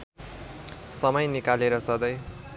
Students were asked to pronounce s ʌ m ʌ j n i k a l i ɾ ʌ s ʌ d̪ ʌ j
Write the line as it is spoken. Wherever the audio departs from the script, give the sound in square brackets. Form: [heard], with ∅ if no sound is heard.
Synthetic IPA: s ʌ m ʌ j n i k a l [e] ɾ ʌ s ʌ d̪ ʌ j